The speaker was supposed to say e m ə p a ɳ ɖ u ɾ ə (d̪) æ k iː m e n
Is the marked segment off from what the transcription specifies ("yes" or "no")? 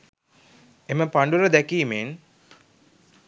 no